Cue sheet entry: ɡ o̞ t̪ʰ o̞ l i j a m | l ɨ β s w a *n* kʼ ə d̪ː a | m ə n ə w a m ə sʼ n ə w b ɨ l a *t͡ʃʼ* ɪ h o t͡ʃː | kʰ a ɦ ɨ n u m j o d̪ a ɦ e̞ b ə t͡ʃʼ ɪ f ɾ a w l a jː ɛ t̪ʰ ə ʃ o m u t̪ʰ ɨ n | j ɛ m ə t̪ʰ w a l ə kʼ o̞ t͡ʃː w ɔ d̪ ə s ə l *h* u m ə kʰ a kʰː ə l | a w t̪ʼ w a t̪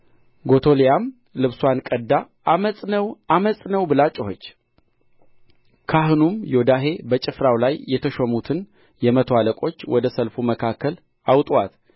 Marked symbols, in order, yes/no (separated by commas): yes, yes, no